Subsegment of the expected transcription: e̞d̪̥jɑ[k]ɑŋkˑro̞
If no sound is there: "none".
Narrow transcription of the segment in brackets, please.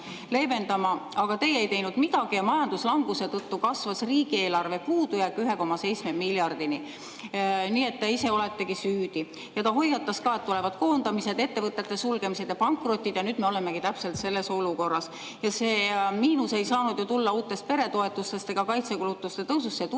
p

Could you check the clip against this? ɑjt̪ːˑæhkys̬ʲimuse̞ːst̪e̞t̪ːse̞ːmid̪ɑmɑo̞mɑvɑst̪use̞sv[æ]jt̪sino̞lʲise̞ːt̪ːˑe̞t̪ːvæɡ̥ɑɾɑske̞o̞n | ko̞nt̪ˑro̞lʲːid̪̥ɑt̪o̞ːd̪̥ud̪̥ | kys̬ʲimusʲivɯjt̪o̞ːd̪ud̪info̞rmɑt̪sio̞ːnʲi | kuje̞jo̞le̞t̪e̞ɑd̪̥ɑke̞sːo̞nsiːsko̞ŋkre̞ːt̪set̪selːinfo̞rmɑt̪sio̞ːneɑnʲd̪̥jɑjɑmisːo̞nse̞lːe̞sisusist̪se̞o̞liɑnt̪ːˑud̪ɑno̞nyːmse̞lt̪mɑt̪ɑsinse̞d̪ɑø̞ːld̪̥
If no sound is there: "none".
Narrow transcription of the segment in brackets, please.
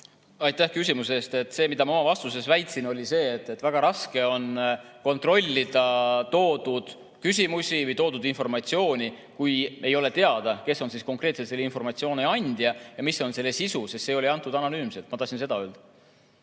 æ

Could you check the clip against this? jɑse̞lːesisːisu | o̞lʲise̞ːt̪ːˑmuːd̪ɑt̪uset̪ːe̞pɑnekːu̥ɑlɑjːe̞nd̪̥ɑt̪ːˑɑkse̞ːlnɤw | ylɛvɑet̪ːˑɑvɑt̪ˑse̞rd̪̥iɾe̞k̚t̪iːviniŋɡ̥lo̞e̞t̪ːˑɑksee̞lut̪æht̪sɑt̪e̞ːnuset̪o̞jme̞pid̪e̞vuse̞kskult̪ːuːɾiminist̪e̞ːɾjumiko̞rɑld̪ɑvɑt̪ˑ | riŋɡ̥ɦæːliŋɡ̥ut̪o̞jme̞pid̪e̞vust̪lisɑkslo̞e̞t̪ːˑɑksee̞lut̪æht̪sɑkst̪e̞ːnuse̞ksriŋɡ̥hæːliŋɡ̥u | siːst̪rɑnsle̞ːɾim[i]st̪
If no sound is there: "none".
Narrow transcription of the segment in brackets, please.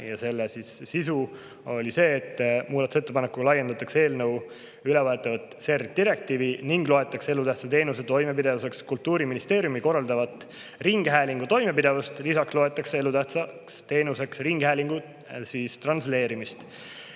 i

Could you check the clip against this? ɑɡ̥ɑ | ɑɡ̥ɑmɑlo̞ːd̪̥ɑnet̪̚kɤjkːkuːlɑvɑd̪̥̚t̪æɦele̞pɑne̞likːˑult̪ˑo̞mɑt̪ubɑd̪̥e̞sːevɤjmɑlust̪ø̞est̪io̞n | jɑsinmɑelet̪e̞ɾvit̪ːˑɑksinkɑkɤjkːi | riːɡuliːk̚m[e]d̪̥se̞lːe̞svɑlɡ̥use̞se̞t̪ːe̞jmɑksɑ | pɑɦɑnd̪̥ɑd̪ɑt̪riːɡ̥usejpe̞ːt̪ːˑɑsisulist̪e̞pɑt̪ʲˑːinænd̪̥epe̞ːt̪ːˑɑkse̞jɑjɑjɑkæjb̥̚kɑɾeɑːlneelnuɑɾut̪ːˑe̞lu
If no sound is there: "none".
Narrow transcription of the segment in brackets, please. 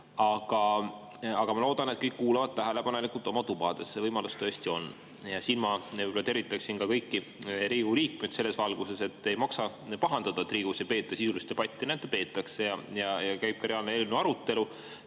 e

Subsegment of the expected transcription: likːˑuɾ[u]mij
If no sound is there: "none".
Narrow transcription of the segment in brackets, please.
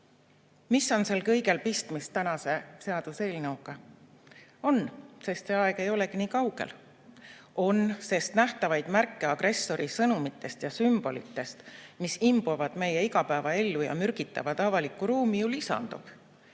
uː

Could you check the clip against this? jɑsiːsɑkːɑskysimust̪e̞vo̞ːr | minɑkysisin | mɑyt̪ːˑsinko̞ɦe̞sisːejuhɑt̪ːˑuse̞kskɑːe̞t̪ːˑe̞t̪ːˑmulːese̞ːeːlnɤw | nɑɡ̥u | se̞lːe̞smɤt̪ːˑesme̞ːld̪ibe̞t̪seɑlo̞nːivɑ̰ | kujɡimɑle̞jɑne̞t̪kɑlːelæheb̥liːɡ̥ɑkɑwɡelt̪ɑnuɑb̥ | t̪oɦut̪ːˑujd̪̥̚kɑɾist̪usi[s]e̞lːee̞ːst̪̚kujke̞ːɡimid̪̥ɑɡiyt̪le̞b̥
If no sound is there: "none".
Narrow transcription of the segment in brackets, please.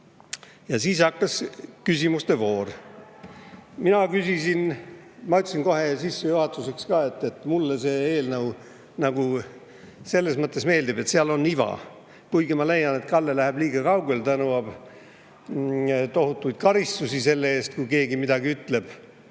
s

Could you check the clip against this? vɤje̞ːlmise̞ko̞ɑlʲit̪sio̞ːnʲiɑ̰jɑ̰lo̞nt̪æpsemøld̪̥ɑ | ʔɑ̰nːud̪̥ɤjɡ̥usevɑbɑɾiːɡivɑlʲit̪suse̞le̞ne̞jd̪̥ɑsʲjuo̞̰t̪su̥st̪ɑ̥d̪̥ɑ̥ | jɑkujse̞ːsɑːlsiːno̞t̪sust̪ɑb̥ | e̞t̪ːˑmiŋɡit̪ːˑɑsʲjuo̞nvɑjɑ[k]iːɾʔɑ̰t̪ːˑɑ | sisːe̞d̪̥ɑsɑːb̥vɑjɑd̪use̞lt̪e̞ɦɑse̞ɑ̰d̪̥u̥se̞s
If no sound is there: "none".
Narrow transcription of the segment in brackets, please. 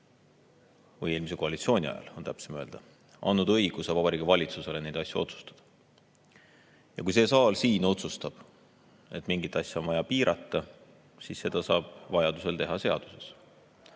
p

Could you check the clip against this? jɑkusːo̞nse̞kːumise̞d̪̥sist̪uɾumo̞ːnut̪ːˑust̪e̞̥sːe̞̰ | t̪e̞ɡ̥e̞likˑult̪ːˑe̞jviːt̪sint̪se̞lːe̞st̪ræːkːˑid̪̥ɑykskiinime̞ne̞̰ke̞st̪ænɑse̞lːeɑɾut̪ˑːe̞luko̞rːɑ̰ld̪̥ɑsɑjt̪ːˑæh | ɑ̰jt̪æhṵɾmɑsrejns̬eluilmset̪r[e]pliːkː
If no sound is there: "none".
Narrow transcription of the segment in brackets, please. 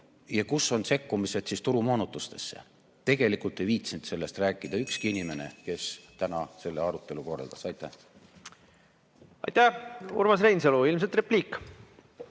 e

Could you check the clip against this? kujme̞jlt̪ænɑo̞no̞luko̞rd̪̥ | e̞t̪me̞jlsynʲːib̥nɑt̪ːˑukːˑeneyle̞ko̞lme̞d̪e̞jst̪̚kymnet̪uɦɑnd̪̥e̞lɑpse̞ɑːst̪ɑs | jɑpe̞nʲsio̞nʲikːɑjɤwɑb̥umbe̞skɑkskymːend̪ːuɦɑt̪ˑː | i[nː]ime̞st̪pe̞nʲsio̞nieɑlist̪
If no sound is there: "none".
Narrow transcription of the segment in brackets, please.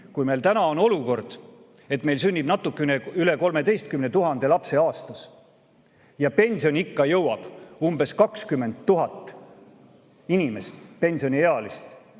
n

